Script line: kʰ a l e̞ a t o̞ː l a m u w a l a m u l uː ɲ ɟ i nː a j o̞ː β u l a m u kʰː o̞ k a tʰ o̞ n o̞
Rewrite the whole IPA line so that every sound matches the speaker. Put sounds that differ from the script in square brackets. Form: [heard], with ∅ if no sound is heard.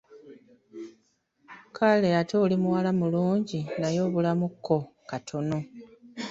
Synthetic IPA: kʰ a l e̞ a t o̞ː l [i] m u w a l a m u l uː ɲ ɟ i [n] a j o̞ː β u l a m u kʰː o̞ k a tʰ o̞ n o̞